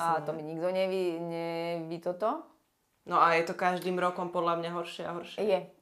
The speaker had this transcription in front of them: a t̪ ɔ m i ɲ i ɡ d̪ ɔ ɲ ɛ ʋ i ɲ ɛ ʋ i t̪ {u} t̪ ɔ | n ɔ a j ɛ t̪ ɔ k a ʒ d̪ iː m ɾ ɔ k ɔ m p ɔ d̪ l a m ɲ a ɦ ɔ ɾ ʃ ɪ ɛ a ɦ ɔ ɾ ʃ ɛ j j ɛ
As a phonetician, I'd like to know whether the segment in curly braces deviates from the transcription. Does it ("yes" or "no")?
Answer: yes